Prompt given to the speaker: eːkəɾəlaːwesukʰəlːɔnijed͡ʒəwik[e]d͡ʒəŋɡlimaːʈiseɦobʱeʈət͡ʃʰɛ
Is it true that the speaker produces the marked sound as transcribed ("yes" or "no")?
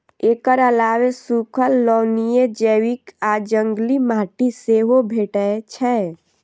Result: no